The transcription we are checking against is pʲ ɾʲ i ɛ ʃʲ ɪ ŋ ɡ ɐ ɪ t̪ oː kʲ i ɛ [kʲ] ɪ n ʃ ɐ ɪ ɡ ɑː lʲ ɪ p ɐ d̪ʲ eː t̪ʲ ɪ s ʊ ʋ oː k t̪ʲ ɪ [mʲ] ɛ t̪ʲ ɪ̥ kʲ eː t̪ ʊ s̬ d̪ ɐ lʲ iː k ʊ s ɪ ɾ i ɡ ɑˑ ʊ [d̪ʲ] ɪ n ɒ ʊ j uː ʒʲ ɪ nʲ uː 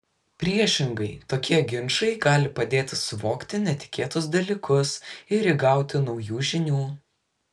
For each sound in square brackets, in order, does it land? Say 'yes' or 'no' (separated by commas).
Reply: no, no, no